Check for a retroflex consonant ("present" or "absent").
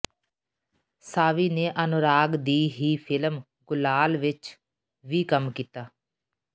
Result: absent